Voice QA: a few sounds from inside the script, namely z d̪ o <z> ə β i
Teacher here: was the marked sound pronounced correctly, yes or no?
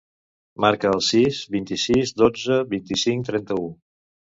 no